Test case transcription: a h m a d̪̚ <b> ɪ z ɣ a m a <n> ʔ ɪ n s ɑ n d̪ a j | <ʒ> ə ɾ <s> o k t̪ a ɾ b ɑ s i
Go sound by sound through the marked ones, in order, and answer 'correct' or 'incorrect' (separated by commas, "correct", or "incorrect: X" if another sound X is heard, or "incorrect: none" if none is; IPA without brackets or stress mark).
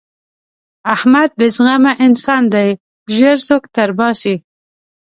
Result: correct, incorrect: none, correct, correct